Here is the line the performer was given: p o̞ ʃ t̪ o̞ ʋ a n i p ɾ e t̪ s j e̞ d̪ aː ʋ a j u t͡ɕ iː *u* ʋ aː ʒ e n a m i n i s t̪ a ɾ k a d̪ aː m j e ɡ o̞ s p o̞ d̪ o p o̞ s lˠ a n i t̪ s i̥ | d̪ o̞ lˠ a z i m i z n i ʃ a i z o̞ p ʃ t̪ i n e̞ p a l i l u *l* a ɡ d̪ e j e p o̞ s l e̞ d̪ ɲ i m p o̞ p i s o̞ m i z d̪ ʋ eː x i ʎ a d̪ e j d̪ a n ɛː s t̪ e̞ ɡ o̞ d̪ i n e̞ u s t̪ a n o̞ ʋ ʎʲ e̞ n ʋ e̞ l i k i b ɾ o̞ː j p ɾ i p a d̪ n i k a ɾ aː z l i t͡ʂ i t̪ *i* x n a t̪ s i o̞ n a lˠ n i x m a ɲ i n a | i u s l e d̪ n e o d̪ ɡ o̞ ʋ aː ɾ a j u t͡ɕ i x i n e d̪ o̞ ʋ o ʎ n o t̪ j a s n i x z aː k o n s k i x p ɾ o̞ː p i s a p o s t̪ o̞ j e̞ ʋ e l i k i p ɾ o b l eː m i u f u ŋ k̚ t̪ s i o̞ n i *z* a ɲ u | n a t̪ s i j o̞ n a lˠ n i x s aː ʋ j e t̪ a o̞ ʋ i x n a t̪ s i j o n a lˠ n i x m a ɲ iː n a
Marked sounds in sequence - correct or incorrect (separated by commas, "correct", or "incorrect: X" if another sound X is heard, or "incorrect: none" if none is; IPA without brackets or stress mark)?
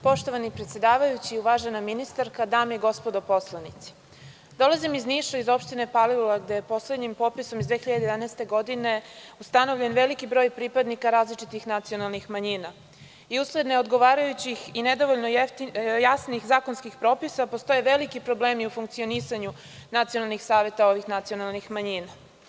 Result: correct, correct, correct, incorrect: s